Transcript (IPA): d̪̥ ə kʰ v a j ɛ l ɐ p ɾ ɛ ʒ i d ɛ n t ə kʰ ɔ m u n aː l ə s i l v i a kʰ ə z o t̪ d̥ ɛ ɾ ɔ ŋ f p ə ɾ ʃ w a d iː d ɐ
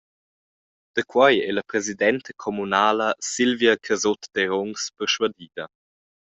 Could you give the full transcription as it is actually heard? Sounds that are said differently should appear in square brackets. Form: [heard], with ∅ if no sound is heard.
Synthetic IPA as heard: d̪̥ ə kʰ [w] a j ɛ l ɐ p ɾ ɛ [z] i d ɛ n t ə kʰ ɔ m u n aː l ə s i l v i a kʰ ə z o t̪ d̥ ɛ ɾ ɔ ŋ [s] p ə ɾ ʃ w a d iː d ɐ